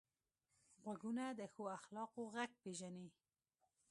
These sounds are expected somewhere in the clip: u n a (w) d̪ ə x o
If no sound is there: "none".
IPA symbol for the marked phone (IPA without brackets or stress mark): none